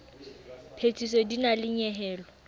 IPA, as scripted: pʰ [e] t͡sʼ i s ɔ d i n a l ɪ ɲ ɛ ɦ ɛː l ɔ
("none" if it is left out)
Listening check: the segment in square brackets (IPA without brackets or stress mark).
e